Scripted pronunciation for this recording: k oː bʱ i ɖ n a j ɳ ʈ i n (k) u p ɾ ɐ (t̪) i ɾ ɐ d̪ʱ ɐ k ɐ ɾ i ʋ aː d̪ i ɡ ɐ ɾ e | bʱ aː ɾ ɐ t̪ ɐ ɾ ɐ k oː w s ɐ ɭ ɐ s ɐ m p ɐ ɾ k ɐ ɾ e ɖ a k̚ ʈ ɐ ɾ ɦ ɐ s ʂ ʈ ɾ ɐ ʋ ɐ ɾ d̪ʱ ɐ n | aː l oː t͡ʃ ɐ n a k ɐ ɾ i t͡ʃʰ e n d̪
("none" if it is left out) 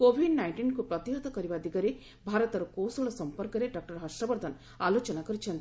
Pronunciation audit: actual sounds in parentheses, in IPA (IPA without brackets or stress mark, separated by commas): k, t̪